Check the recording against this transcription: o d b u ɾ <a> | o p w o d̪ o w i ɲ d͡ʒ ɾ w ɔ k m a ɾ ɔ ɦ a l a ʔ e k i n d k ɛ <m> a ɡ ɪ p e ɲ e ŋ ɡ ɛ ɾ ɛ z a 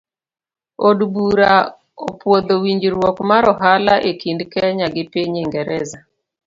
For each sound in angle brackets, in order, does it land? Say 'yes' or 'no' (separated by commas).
yes, no